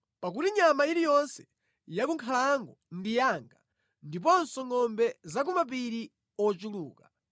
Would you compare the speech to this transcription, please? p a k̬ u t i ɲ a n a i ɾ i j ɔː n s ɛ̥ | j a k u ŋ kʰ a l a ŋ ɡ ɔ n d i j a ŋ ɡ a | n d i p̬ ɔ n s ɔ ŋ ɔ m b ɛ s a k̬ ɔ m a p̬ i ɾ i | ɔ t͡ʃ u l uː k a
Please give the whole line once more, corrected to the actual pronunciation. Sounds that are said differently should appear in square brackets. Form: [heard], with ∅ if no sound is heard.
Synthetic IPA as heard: p a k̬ u t i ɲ a [m] a i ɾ i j [ɔ] n s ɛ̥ | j a k u ŋ kʰ a l a ŋ ɡ ɔ n d i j a ŋ ɡ a | n d i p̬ ɔ n s ɔ ŋ ɔ m b ɛ [z] a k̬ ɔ m a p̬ i ɾ i | ɔ t͡ʃ u l uː k a